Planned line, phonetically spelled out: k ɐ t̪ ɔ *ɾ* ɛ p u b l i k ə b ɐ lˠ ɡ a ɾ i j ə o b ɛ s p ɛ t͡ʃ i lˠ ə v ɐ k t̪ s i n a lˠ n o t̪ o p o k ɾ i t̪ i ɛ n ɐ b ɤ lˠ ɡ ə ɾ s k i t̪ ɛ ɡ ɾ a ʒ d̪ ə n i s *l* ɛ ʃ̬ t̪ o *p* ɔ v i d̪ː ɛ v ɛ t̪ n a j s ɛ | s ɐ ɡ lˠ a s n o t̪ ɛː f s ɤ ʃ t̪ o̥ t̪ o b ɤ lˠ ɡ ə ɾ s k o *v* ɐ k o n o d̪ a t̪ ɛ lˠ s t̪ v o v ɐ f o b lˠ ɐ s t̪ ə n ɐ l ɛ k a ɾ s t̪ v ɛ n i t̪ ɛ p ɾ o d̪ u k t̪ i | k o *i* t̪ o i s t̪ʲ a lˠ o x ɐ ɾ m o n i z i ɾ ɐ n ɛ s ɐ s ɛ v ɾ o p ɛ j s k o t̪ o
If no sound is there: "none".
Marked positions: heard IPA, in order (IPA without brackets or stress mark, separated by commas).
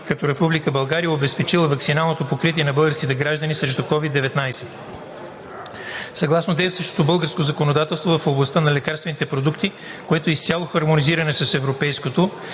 ɾ, ɾ, k, z, ɛ